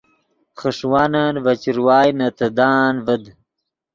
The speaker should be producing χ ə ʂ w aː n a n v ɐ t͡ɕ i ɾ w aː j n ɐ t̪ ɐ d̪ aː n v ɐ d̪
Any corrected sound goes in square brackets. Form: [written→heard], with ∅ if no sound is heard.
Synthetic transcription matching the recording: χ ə ʂ w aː n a n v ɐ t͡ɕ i ɾ w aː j n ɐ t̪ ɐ d̪ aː n v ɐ d̪